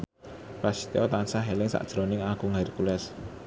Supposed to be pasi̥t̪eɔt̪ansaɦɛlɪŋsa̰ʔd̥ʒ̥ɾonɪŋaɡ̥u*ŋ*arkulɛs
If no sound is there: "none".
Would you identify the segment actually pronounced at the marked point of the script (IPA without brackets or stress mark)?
ŋ